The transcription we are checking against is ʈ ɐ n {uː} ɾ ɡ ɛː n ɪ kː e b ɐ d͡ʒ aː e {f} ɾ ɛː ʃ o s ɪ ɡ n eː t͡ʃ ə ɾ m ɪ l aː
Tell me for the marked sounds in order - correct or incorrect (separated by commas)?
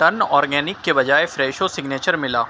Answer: incorrect, correct